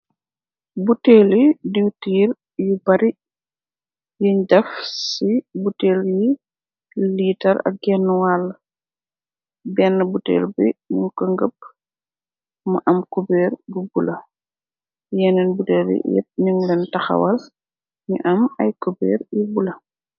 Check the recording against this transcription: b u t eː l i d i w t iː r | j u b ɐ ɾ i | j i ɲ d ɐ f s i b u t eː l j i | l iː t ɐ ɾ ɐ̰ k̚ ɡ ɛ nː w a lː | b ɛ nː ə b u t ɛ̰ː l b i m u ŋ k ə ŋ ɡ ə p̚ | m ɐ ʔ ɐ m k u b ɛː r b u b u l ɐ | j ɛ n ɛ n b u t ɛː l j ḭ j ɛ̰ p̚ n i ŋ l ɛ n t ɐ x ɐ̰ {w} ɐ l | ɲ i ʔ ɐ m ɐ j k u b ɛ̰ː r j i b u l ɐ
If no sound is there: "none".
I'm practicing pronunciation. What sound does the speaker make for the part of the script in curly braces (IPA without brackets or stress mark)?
w